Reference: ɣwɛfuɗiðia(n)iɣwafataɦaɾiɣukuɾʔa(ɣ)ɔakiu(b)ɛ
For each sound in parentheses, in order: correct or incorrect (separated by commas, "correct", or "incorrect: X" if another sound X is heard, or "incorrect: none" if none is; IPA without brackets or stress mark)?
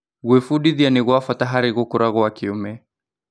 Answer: correct, correct, incorrect: m